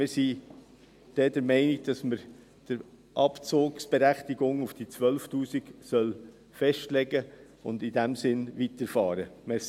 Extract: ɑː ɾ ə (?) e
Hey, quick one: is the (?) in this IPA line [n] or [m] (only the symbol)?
m